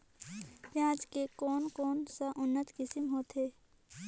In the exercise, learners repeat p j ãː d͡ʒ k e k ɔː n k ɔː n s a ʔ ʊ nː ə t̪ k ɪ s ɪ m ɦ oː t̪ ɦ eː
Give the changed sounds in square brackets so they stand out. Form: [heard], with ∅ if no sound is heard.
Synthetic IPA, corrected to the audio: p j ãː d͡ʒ k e k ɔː n k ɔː n s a ʔ ʊ nː ə t̪ k ɪ s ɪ m ɦ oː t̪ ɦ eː